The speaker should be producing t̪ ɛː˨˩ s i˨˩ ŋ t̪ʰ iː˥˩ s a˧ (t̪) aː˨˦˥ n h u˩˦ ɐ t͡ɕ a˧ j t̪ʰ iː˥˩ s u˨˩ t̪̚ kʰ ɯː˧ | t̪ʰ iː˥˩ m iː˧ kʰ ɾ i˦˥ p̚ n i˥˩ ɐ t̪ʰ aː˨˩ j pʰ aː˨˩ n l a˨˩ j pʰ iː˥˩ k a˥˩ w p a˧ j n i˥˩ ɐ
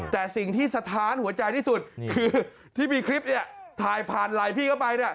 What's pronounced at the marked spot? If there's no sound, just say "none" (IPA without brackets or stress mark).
t̪ʰ